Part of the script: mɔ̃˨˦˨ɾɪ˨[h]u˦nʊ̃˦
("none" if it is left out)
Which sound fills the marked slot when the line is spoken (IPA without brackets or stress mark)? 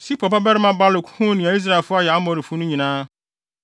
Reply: f